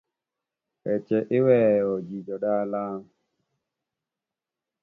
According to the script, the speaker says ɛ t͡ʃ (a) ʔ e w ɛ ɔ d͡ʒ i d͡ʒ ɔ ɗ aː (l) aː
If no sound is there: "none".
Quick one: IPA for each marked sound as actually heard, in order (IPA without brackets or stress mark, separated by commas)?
ɛ, l